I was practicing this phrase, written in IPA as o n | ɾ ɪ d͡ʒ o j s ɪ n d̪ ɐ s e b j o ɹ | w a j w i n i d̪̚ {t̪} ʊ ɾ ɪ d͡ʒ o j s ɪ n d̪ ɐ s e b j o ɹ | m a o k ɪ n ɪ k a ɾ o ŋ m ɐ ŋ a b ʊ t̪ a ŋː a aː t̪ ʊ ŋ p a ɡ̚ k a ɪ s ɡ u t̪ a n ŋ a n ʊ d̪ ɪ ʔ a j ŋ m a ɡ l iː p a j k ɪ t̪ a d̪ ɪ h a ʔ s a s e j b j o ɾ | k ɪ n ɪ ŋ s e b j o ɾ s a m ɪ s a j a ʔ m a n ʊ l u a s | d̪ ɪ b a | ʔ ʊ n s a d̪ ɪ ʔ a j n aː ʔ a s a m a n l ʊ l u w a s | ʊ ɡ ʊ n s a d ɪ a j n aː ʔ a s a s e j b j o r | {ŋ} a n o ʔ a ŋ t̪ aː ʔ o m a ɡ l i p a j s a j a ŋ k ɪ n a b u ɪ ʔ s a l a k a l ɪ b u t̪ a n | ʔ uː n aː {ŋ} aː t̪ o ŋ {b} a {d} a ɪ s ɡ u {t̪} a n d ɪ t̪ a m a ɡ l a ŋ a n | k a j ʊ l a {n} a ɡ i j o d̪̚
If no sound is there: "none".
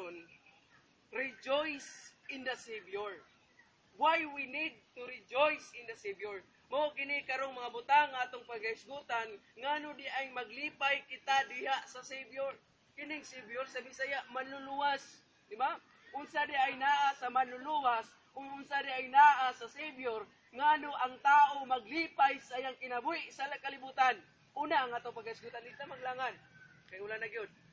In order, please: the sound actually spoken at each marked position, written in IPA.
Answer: t̪, ŋ, ŋ, p, ɡ, t̪, n

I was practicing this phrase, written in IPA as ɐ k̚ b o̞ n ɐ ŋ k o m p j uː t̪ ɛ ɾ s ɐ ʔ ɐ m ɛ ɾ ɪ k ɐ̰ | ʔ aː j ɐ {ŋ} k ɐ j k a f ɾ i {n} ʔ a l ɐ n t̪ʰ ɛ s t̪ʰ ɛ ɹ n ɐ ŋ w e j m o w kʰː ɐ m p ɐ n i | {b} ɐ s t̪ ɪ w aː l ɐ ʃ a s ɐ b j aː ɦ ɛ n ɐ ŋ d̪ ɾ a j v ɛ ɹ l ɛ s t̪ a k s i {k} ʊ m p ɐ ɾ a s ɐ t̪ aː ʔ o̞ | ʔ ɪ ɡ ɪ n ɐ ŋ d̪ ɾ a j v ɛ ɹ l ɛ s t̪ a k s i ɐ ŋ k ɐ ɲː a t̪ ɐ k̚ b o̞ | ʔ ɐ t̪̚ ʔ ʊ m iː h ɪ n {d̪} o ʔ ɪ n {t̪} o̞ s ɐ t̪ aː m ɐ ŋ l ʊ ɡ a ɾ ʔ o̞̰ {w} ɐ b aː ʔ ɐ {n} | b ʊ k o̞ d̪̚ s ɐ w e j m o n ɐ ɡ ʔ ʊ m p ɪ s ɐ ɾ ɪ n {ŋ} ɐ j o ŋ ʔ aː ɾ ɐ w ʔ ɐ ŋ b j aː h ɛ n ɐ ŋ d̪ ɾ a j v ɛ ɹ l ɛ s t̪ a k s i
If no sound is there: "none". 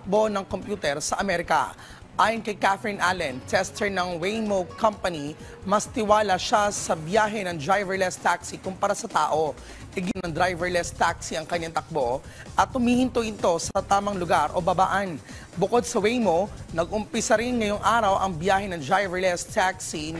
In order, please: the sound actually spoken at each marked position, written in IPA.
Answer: n, n, m, k, t̪, t̪, b, n, ŋ

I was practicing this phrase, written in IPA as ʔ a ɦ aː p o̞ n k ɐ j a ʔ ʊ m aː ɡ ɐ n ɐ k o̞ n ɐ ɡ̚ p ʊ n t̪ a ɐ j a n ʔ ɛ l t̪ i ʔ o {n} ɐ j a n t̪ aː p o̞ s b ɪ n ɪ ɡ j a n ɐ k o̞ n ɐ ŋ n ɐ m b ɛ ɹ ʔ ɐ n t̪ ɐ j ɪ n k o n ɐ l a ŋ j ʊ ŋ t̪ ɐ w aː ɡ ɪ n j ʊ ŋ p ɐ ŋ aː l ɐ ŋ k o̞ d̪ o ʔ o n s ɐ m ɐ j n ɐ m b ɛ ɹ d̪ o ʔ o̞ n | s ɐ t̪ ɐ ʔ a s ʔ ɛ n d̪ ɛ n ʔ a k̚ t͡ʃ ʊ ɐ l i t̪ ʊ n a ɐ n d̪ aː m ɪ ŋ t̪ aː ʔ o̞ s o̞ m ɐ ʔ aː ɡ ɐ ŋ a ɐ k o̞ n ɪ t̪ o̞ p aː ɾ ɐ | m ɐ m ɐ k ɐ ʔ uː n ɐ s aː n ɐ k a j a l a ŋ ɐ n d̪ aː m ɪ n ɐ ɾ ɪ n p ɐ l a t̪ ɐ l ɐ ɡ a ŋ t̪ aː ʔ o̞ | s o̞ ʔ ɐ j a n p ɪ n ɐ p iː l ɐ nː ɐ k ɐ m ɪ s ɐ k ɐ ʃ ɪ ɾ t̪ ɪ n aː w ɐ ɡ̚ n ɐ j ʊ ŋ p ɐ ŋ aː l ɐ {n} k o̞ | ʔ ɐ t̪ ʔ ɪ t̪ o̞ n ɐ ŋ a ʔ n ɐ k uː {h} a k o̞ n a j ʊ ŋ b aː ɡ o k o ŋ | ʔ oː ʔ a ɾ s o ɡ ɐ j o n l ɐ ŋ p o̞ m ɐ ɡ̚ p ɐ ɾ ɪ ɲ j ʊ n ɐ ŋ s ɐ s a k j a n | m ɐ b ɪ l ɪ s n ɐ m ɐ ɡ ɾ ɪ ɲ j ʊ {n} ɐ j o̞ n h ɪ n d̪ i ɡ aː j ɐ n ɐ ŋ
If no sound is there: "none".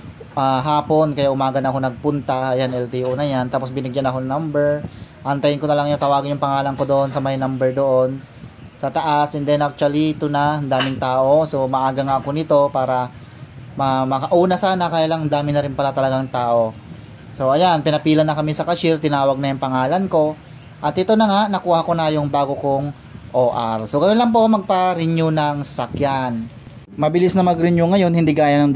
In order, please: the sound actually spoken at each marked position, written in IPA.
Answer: n, n, h, ŋ

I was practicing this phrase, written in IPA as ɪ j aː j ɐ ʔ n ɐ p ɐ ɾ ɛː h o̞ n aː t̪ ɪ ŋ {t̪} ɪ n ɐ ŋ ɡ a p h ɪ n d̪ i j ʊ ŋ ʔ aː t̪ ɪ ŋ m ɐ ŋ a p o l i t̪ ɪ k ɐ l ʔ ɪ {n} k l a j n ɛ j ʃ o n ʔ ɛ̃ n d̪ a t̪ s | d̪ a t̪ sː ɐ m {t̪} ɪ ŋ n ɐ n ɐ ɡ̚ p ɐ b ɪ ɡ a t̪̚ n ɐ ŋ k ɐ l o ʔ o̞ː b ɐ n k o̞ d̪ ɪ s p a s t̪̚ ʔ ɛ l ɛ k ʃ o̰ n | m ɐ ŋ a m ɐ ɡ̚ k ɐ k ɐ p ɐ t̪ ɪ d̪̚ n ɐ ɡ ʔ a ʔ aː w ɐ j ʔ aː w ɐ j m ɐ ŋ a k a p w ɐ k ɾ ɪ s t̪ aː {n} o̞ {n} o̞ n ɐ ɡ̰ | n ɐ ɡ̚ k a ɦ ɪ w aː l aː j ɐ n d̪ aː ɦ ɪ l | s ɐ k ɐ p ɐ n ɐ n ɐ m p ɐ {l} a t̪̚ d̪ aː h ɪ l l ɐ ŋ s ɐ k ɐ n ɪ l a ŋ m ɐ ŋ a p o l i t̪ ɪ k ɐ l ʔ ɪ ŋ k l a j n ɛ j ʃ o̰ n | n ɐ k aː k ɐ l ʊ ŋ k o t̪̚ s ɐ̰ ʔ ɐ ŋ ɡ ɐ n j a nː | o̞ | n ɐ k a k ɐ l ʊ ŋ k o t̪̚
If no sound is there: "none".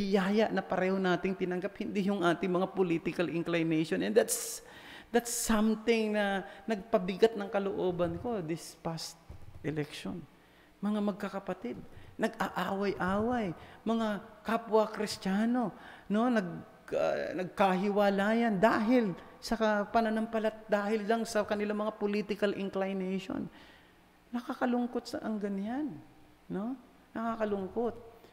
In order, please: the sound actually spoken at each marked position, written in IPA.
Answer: t̪, ŋ, t̪, n, n, l

